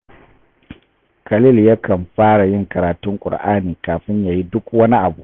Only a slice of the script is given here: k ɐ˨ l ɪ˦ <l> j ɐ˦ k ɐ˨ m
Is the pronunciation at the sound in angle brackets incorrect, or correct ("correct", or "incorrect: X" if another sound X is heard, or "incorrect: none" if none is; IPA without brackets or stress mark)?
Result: correct